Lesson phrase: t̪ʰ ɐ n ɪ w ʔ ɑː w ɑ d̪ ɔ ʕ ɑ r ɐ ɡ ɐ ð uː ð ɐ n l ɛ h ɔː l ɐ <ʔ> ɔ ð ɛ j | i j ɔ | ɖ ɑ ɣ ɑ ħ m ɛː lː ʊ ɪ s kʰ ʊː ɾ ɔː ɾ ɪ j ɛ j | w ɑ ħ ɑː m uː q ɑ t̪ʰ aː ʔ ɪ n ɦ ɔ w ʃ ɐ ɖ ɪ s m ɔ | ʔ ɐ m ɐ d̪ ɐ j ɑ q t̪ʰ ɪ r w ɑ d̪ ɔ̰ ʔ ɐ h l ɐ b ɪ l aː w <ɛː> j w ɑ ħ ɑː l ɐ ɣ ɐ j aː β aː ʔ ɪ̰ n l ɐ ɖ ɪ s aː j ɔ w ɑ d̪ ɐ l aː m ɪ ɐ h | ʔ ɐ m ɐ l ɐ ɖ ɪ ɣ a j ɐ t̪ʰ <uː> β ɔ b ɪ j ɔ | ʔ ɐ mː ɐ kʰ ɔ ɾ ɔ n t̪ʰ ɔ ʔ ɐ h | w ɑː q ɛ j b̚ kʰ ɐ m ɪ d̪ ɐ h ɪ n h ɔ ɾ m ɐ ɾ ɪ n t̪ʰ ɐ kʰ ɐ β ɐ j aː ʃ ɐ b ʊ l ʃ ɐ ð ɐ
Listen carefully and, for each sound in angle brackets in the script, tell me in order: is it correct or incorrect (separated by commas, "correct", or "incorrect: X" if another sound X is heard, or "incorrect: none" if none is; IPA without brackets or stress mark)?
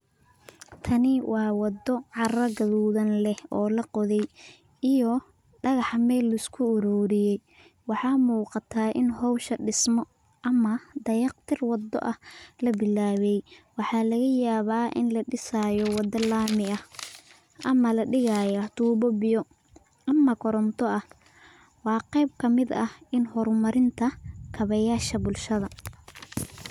incorrect: q, incorrect: ɛ, correct